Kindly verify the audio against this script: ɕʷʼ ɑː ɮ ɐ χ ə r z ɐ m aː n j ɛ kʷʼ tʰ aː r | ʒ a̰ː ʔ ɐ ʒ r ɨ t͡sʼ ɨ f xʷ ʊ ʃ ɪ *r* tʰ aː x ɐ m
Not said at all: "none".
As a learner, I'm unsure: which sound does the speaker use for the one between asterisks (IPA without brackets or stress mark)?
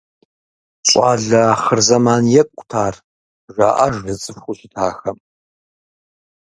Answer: none